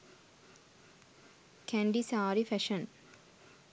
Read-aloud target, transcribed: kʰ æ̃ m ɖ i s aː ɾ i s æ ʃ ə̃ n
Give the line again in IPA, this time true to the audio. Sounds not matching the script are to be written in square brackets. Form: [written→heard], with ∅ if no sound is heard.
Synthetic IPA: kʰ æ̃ [m→ɳ] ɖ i s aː ɾ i [s→f] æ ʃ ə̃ n